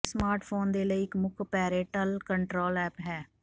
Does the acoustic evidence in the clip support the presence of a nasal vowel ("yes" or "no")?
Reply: no